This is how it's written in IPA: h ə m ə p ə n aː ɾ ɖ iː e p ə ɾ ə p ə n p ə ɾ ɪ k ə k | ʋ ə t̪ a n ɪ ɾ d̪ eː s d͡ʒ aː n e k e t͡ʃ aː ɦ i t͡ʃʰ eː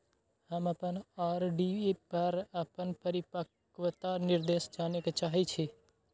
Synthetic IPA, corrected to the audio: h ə m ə p ə n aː ɾ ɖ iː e p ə ɾ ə p ə n p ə ɾ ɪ p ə k | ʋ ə t̪ a n ɪ ɾ d̪ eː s d͡ʒ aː n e k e t͡ʃ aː ɦ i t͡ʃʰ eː